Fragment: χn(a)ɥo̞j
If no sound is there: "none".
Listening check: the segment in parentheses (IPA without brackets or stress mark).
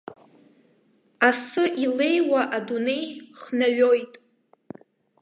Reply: a